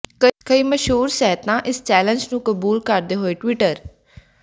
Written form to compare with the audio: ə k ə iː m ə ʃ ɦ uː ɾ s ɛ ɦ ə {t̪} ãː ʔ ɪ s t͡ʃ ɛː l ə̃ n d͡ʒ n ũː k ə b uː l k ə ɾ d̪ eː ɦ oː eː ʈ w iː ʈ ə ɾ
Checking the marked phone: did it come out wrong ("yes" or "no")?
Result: no